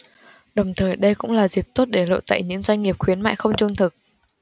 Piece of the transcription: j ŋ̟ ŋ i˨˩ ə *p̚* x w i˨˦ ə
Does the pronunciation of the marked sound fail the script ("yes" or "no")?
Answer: no